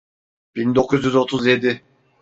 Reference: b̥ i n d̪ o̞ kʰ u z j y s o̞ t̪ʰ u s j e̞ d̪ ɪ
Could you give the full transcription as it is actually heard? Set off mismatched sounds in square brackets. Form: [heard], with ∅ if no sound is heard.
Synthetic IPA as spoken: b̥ i n d̪ o̞ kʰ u z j y [z] o̞ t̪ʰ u [z] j e̞ d̪ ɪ

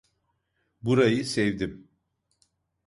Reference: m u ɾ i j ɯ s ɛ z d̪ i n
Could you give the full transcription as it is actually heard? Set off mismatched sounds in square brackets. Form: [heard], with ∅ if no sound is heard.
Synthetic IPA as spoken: [b] u ɾ [a] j ɯ s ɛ [v] d̪ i [m]

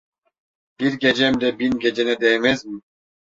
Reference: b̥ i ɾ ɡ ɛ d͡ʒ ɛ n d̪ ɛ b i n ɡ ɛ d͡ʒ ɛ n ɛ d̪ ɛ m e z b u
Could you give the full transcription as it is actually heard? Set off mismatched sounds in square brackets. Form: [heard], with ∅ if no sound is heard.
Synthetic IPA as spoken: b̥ i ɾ ɡ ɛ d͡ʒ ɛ [m] d̪ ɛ b i n ɡ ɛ d͡ʒ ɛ n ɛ d̪ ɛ m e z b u

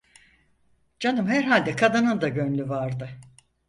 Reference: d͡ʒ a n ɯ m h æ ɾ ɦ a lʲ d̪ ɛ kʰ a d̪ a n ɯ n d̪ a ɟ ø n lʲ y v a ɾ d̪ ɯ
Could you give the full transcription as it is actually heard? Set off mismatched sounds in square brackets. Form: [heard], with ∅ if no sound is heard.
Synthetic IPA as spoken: d͡ʒ a n ɯ m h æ ɾ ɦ a lʲ d̪ ɛ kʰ a d̪ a n ɯ n d̪ a ɟ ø n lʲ y v a ɾ d̪ ɯ

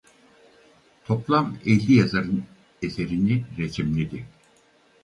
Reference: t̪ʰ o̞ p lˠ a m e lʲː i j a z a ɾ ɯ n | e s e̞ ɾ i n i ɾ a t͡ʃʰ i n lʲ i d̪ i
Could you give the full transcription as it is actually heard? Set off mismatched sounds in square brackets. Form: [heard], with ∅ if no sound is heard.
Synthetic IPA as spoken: t̪ʰ o̞ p lˠ a m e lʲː i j a z a ɾ ɯ n | e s e̞ ɾ i n i ɾ [e] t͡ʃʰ i [m] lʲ i d̪ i

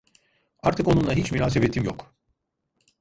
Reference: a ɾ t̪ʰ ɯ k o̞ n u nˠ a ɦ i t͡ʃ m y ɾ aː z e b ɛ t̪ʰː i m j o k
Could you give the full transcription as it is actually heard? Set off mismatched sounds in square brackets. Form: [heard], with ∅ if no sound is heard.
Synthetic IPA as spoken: a ɾ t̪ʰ ɯ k o̞ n u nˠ a ɦ i t͡ʃ m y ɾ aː [s] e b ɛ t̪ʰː i m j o k

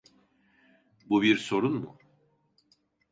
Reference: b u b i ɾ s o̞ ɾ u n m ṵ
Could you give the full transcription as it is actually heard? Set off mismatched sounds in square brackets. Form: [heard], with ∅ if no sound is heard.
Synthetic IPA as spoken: b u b i ɾ s o̞ ɾ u n m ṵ

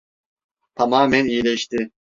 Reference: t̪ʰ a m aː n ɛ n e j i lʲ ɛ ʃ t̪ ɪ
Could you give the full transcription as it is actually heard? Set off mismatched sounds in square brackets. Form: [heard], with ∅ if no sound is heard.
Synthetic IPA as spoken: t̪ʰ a m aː [m] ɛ n [i] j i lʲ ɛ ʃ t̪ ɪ

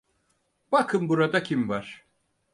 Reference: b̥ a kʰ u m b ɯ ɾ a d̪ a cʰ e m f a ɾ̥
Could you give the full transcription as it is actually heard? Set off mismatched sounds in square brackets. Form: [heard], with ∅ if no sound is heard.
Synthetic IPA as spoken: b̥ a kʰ [ɯ] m b [u] ɾ a d̪ a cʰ [i] m [v] a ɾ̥

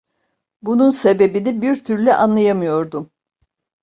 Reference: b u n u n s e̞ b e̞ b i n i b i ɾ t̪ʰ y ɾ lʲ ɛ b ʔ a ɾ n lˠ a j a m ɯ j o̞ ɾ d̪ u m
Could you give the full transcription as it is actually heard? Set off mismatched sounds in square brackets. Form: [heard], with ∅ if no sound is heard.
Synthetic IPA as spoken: b u n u n s e̞ b e̞ b i n i b i ɾ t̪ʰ y ɾ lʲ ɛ [∅] ʔ a [∅] n lˠ a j a m ɯ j o̞ ɾ d̪ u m

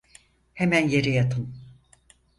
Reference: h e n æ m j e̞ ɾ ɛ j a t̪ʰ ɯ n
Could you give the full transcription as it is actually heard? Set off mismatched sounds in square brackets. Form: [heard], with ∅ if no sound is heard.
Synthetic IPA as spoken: h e [m] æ [n] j e̞ ɾ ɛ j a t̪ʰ ɯ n

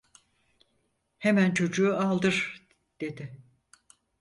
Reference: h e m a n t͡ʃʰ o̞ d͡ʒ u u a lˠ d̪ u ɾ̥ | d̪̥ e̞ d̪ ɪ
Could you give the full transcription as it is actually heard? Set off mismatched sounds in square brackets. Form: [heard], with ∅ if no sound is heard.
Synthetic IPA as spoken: h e m [æ] n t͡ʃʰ o̞ d͡ʒ u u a lˠ d̪ [ɯ] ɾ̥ | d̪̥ e̞ d̪ ɪ

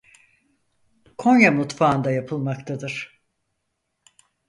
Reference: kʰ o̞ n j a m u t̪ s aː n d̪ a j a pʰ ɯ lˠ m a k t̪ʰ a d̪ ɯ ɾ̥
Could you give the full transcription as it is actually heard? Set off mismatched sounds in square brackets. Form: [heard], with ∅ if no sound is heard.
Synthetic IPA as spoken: kʰ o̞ n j a m u t̪ [f] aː n d̪ a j a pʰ ɯ lˠ m a k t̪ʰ a d̪ ɯ ɾ̥

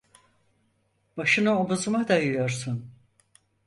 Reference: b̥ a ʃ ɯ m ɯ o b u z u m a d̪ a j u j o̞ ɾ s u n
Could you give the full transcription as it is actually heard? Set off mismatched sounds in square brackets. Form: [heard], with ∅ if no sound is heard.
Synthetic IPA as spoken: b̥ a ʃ ɯ [n] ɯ o b u z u m a d̪ a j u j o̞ ɾ s u n

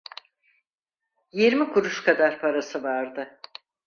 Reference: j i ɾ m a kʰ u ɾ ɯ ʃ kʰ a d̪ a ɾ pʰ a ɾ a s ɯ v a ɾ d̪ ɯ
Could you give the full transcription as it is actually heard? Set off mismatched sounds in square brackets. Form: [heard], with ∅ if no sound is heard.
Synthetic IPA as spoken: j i ɾ m [i] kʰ u ɾ [u] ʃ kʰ a d̪ a ɾ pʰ a ɾ a s ɯ v a ɾ d̪ ɯ

